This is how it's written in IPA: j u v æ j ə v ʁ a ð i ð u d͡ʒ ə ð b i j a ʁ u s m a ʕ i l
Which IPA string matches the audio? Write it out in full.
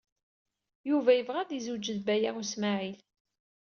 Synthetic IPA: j u v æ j ə v ʁ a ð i z u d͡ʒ ə ð b æ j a ʁ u s m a ʕ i l